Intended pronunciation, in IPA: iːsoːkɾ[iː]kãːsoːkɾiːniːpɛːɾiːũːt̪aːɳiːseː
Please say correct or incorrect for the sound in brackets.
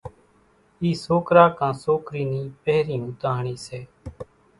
incorrect